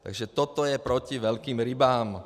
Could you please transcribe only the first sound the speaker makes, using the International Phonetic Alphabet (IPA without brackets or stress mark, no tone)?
t̪